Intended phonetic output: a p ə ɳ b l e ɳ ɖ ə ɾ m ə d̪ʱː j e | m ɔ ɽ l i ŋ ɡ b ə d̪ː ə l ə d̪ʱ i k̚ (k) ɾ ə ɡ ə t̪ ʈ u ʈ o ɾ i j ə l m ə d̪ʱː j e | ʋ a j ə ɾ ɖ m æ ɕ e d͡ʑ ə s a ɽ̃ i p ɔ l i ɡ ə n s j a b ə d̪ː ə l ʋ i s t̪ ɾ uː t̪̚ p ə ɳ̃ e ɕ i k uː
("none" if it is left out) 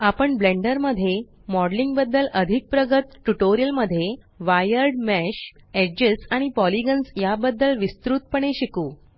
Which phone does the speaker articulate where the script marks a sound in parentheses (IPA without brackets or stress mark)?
p